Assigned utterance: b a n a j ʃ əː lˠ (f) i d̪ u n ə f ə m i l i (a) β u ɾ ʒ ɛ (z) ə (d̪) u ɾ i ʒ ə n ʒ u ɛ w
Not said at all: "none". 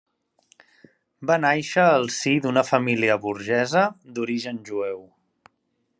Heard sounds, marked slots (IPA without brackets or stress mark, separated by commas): s, ə, z, d̪